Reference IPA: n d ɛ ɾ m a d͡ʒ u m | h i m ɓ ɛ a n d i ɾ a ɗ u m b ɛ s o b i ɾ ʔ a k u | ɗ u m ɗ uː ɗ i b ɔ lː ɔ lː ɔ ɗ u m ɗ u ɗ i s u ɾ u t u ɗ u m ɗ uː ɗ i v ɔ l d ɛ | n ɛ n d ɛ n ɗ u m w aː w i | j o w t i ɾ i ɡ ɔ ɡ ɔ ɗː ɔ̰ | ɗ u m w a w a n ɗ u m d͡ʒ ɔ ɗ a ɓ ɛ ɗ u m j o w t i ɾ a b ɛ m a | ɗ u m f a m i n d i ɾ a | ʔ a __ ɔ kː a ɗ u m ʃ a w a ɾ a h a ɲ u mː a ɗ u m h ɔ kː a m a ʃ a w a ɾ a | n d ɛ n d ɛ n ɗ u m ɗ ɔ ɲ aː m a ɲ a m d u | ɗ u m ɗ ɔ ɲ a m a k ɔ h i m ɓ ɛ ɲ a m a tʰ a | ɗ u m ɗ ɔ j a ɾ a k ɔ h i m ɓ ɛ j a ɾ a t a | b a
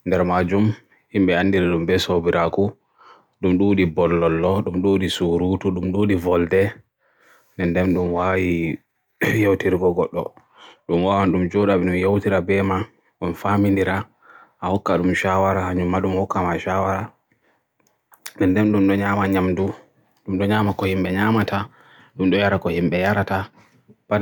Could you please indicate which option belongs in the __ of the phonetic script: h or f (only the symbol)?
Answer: h